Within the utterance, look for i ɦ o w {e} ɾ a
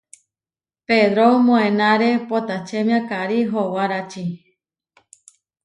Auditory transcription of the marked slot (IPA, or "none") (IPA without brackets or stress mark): a